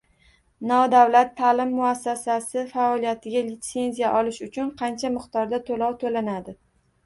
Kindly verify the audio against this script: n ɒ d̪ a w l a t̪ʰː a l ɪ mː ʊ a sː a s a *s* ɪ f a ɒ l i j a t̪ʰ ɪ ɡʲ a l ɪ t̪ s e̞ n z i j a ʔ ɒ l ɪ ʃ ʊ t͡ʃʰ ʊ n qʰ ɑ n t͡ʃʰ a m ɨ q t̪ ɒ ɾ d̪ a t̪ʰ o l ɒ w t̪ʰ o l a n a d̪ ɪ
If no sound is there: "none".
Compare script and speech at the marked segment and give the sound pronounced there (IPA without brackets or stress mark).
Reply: s